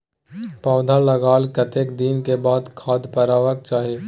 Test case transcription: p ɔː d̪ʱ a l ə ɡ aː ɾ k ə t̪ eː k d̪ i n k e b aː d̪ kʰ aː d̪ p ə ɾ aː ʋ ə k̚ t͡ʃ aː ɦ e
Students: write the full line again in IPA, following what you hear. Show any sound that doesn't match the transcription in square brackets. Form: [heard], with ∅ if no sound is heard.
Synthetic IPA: p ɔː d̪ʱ a l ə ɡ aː [l] k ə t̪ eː k d̪ i n k e b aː d̪ kʰ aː d̪ p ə ɾ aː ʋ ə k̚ t͡ʃ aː ɦ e